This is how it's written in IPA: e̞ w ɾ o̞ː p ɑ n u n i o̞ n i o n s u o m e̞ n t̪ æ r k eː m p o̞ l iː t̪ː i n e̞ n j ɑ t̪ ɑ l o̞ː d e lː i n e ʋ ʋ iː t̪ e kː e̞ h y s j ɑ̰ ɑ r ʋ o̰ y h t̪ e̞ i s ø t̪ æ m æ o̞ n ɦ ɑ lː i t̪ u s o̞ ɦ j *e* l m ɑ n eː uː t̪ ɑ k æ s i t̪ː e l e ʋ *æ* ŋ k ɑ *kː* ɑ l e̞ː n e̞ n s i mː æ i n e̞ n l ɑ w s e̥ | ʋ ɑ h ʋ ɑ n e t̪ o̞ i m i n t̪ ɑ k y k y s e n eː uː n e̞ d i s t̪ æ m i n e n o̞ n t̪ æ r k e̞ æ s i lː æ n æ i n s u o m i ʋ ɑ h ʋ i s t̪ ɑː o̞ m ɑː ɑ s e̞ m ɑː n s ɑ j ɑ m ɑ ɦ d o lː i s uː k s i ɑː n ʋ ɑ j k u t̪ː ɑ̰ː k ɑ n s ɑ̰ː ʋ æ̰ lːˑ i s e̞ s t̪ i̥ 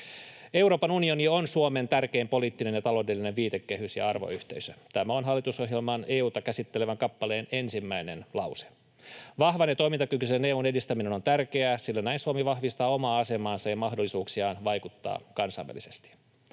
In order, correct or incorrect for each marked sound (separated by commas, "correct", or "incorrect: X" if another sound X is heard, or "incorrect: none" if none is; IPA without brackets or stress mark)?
correct, correct, incorrect: pː